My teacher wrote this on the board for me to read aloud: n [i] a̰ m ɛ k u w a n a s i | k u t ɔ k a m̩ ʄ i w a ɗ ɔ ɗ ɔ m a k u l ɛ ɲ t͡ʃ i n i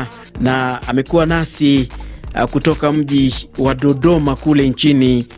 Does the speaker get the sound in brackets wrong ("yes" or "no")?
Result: yes